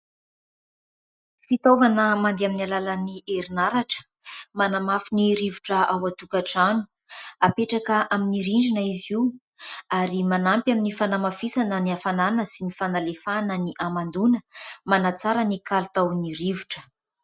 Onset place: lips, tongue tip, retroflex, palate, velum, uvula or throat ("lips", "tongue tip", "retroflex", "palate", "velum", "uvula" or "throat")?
lips